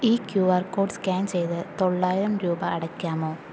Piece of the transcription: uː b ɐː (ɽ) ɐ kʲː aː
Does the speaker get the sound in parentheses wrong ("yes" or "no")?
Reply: no